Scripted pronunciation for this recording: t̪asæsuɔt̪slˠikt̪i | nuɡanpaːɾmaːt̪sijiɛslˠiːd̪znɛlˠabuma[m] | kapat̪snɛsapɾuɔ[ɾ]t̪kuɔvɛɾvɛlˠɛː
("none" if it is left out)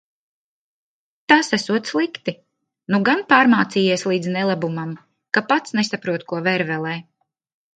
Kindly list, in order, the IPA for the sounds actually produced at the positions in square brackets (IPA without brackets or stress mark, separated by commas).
m, none